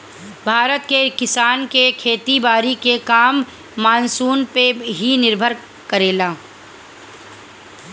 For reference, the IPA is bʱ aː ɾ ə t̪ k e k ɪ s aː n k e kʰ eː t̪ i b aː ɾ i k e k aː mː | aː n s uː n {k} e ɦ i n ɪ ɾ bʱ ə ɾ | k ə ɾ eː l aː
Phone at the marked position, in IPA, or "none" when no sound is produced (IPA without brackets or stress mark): p